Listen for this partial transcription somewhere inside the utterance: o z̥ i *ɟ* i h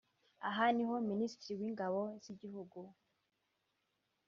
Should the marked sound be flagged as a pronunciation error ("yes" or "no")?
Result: no